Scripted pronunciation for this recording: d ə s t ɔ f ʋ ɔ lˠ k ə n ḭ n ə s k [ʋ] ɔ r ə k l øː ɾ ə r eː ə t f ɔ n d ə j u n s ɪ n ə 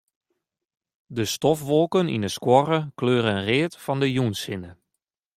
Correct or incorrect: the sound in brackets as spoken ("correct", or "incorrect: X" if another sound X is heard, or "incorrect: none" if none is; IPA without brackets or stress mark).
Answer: incorrect: w